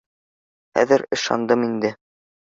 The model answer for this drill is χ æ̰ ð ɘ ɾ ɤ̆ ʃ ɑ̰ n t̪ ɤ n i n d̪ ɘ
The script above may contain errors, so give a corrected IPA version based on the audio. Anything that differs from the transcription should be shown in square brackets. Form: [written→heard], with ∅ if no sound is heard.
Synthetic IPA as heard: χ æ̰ ð ɘ ɾ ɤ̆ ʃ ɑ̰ n [t̪→d̪] ɤ [n→m] i n d̪ ɘ